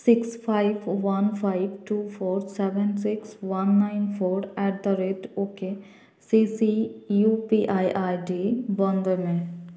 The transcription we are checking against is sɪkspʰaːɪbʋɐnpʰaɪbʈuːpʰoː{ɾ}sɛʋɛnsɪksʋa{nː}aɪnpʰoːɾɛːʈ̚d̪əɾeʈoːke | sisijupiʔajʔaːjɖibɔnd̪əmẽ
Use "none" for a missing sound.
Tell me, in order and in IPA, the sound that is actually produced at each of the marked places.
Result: ɾ, nː

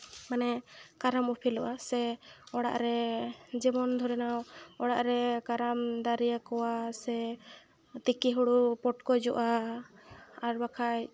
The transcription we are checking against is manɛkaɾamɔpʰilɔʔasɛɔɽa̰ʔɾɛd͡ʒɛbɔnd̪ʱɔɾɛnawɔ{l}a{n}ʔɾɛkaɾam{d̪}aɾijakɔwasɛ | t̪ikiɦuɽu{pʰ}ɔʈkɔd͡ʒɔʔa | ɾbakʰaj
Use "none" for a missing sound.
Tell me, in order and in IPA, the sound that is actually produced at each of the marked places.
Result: ɽ, none, d̪, p

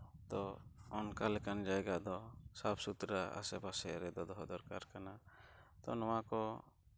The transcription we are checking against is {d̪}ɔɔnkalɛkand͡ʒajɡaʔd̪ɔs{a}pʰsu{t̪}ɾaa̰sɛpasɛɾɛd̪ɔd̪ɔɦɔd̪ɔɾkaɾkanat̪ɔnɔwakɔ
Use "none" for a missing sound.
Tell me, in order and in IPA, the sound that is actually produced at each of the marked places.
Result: t̪, a, t̪

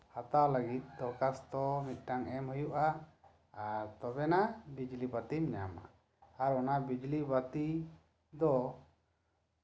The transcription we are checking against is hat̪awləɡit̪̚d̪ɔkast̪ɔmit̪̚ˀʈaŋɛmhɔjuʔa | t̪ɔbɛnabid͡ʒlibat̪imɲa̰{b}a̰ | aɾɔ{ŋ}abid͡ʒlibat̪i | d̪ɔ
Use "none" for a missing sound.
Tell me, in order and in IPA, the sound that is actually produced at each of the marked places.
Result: m, n

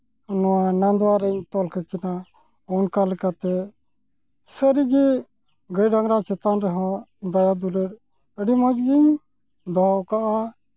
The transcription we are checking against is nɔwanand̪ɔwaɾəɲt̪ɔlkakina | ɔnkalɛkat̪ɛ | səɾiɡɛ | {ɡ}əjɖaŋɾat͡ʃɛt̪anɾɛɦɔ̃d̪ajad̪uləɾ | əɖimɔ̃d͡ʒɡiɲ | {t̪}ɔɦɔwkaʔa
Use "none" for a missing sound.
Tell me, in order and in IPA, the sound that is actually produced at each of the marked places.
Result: ɡ, d̪

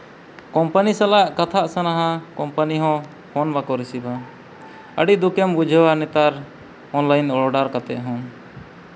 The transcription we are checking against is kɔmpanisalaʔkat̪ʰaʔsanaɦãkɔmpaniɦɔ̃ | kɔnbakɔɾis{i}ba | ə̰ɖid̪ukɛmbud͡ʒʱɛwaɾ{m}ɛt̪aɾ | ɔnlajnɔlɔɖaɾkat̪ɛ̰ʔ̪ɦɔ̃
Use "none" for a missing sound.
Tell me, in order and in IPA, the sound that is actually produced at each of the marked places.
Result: i, n

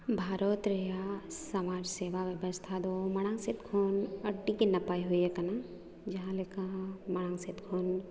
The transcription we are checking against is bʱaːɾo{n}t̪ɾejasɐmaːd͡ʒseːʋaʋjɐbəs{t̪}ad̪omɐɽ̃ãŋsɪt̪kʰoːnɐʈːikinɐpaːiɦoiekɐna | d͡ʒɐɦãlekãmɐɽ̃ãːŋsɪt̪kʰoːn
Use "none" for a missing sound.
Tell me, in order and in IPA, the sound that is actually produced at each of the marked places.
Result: none, t̪ʰ

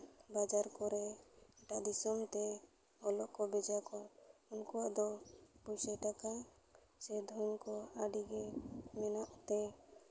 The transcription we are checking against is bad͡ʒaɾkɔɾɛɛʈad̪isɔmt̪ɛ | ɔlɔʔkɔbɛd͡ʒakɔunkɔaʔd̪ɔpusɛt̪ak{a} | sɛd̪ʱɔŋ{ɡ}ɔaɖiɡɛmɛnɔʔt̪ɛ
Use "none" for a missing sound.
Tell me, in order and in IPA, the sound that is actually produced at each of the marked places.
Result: a, k

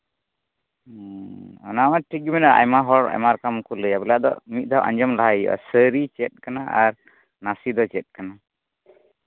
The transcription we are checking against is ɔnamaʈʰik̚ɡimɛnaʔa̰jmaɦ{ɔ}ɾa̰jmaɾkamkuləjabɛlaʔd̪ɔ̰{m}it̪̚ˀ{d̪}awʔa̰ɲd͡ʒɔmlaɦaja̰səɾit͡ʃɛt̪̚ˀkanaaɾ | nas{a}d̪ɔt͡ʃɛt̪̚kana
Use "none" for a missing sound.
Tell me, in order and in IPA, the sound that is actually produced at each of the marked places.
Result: ɔ, m, d̪, i

